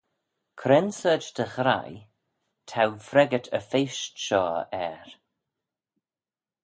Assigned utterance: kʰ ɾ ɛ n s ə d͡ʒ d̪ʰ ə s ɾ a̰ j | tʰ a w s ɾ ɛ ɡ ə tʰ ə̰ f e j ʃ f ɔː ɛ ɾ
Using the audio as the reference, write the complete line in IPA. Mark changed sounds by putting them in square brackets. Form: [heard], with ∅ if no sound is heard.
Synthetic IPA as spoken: kʰ ɾ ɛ n s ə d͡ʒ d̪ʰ ə [x] ɾ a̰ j | tʰ a w [f] ɾ ɛ ɡ ə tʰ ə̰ f e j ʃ [ʃ] ɔː ɛ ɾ